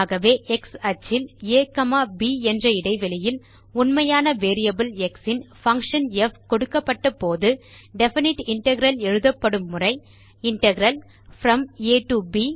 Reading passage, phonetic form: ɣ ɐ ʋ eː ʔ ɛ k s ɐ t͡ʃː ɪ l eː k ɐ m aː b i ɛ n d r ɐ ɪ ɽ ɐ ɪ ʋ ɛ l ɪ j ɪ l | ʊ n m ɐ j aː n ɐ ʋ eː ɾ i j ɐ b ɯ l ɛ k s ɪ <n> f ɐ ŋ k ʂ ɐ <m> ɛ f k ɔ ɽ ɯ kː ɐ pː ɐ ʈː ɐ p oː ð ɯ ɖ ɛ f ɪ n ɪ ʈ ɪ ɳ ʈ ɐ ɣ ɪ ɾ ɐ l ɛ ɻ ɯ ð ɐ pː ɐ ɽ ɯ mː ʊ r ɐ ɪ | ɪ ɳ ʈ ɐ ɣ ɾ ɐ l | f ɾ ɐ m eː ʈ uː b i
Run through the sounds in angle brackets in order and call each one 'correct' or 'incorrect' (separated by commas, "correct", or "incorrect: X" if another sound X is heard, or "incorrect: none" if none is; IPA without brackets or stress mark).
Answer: correct, incorrect: n